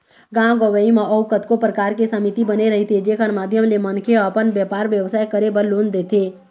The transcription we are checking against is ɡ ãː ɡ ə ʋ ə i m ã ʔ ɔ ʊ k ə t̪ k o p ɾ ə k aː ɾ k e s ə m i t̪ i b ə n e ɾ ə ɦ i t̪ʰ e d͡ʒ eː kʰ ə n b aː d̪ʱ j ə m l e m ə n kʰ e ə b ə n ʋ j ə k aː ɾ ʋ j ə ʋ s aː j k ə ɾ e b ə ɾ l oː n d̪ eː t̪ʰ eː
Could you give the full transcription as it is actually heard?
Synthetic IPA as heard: ɡ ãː ɡ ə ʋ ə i m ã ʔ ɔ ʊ k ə t̪ k o p ɾ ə k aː ɾ k e s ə m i t̪ i b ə n e ɾ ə ɦ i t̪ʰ e d͡ʒ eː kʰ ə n m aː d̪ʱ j ə m l e m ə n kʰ e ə p ə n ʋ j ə p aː ɾ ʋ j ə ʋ s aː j k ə ɾ e b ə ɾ l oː n d̪ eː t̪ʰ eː